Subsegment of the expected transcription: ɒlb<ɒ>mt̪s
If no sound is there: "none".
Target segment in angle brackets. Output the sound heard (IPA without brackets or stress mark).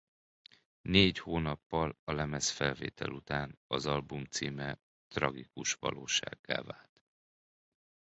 u